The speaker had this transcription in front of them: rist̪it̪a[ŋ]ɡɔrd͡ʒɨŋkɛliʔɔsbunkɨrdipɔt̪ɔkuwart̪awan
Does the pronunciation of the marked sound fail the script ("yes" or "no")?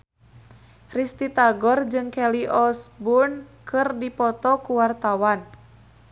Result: yes